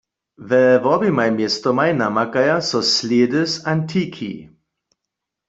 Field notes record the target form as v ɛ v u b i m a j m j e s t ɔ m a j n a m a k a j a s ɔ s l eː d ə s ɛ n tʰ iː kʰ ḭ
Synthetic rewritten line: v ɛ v ɔ b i m a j m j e s t ɔ m a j n a m a k a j a s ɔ s l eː d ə s a n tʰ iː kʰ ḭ